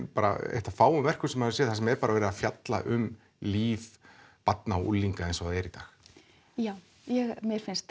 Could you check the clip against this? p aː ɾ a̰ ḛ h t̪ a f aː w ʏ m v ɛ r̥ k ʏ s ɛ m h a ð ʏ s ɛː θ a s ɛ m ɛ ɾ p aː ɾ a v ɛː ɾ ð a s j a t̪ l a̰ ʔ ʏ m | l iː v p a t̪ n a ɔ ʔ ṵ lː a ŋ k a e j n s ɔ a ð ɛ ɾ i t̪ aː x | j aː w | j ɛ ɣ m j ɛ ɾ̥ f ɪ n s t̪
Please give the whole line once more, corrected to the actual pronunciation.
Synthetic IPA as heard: p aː ɾ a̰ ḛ h t̪ a f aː w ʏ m v ɛ r̥ k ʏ s ɛ m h a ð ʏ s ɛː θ a s ɛ m ɛ ɾ p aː ɾ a v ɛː ɾ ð a f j a t̪ l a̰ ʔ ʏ m | l iː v p a t̪ n a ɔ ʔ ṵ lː i ŋ k a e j n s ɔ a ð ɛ ɾ i t̪ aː x | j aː w | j ɛ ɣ m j ɛ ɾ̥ f ɪ n s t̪